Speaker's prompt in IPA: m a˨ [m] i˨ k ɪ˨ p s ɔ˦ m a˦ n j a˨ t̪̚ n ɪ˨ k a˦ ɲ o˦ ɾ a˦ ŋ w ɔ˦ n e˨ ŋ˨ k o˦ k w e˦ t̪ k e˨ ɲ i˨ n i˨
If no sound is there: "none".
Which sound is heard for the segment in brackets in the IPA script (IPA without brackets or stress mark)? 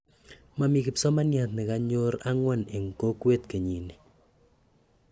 m